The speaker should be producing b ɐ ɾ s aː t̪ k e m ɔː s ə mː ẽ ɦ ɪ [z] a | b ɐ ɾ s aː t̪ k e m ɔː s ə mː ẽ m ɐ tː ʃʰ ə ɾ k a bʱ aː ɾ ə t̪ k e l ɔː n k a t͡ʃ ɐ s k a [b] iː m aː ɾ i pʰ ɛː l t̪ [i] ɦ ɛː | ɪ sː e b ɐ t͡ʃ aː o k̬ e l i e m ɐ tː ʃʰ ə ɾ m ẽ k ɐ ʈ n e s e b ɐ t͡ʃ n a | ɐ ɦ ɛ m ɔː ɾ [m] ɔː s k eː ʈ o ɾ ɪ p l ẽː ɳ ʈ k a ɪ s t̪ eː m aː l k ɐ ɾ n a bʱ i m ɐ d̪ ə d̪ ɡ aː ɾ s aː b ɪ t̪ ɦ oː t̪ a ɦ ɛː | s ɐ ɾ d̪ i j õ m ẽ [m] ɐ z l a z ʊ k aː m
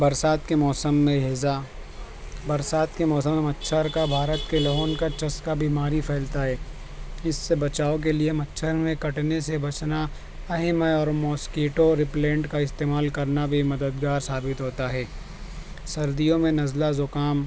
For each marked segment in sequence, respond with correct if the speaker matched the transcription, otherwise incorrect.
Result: correct, correct, incorrect: a, correct, incorrect: n

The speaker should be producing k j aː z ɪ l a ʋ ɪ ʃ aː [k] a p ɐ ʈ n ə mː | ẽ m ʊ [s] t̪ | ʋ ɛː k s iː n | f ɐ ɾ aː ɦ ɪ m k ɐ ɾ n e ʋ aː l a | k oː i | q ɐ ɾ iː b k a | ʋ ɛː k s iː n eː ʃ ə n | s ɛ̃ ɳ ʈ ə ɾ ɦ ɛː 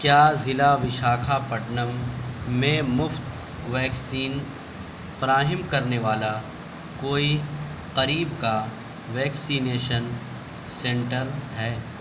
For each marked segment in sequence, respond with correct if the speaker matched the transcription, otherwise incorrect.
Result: incorrect: kʰ, incorrect: f

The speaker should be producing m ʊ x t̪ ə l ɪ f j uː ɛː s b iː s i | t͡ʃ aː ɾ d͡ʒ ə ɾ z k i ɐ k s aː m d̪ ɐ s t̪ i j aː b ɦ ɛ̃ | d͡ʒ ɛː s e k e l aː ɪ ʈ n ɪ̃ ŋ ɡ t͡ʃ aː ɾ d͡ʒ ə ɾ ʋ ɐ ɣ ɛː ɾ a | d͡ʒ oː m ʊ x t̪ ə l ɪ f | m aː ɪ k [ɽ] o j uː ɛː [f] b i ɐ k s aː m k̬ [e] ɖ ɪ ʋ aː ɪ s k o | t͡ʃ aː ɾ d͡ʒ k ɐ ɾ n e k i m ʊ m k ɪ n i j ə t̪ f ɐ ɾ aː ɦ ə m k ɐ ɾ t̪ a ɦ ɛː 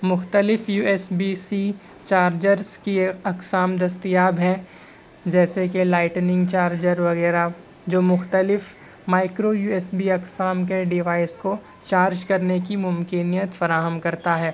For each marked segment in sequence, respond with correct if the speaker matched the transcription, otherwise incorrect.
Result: incorrect: ɾ, incorrect: s, correct

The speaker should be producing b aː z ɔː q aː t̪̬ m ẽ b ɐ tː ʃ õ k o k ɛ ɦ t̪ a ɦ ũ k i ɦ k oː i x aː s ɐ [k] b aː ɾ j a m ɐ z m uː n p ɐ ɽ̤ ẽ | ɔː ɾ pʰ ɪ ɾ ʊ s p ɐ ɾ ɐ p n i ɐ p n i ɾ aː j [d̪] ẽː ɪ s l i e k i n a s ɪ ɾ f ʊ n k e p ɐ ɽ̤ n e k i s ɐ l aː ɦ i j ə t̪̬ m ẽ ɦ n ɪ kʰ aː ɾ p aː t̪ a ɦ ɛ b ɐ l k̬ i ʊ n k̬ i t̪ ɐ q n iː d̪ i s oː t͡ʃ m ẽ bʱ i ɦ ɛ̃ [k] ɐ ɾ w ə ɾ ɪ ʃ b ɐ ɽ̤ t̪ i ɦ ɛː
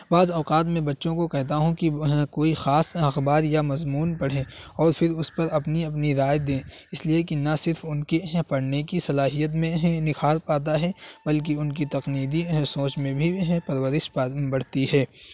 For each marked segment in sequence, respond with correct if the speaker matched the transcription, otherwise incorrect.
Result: incorrect: x, correct, incorrect: p

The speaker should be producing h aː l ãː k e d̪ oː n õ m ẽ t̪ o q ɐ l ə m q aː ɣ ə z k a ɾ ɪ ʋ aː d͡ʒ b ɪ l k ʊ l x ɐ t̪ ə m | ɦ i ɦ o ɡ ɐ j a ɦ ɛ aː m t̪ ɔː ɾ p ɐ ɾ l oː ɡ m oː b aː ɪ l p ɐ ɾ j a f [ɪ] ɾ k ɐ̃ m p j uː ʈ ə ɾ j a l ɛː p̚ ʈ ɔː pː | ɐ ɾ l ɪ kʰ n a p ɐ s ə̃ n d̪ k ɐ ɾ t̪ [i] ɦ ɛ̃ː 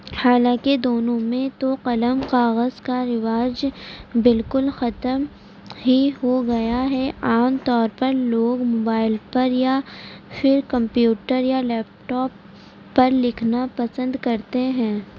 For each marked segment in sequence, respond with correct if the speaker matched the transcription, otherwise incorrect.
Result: correct, incorrect: e

